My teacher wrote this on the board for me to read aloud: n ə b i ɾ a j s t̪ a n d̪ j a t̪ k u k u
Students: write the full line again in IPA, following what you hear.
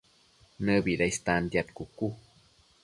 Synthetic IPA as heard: n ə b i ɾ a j s t̪ a n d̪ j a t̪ k u k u